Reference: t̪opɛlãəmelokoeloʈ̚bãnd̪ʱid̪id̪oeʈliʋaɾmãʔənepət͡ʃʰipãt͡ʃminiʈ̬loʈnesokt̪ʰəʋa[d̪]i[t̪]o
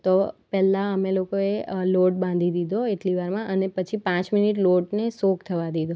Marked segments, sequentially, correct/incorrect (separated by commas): correct, incorrect